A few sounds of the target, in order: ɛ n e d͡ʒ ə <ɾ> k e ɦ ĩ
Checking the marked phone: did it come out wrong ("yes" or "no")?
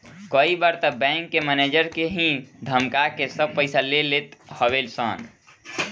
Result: no